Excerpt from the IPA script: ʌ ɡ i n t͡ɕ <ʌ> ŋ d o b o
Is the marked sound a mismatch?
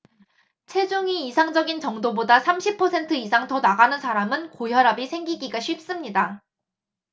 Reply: no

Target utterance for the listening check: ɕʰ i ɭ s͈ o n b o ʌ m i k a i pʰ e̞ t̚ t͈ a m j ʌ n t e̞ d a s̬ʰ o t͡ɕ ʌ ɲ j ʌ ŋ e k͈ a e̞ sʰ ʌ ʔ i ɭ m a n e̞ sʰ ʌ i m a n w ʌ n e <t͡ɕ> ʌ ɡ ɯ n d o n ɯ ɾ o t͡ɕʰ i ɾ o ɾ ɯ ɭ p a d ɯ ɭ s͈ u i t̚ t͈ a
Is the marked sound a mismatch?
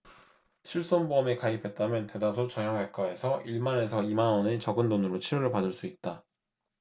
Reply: no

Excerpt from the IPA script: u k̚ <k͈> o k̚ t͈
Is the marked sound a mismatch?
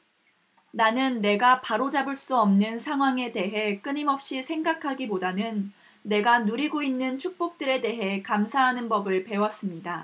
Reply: yes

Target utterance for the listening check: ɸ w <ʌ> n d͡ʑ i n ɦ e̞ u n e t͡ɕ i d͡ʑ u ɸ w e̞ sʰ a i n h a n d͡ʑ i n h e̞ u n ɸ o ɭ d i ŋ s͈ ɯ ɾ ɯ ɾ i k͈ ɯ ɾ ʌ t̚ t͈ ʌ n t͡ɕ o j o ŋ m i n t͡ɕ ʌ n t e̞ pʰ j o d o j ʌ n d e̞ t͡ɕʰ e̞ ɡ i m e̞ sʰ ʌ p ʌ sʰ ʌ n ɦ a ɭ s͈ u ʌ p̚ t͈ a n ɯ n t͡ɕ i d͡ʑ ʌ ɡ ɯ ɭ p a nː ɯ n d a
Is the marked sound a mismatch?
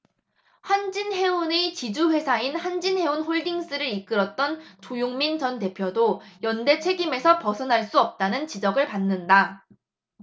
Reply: yes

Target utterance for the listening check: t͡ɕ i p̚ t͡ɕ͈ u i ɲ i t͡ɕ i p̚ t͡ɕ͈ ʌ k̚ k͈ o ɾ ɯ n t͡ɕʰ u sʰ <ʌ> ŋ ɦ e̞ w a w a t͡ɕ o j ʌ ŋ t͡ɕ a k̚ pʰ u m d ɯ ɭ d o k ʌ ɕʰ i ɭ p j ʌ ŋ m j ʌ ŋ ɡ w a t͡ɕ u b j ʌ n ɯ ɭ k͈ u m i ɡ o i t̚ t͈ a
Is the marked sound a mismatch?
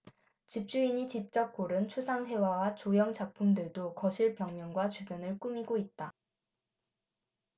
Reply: yes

